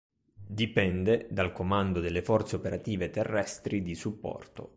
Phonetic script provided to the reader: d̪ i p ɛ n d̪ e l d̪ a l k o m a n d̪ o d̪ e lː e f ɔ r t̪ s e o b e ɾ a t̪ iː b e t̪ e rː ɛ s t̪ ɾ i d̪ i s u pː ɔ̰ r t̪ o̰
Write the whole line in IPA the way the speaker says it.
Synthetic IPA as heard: d̪ i p ɛ n d̪ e d̪ a l k o m a n d̪ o d̪ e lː e f ɔ r t̪ s e o p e ɾ a t̪ iː v e t̪ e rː ɛ s t̪ ɾ i d̪ i s u pː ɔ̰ r t̪ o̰